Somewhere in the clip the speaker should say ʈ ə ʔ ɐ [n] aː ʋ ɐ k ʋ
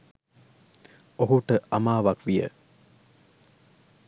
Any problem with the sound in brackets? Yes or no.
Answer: yes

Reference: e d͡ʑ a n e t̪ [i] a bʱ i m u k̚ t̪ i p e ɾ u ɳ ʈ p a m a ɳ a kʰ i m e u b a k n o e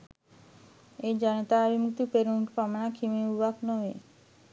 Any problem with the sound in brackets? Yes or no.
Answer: yes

